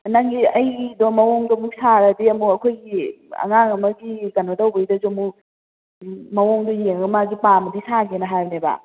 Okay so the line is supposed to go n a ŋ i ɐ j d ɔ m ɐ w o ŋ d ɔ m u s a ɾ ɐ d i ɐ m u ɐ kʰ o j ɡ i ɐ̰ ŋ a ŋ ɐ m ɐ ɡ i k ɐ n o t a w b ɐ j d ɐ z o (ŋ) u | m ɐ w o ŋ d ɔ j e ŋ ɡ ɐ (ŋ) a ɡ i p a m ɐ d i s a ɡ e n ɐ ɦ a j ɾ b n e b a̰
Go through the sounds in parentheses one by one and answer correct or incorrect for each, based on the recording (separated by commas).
incorrect, incorrect